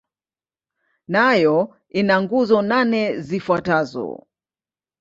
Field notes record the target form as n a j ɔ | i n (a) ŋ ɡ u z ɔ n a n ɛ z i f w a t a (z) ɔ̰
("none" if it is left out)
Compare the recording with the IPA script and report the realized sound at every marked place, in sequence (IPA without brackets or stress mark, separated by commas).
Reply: a, z